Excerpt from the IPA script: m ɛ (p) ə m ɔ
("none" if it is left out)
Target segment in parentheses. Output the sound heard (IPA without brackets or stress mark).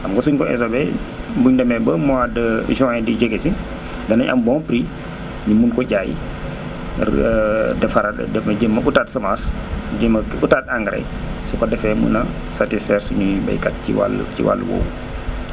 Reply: b